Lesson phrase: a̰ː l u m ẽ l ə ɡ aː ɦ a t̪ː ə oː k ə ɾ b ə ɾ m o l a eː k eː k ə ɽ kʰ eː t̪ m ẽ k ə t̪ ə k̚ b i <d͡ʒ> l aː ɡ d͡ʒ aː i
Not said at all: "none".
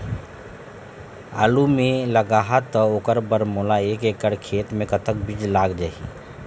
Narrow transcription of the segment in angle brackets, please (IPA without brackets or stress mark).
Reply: d͡ʒ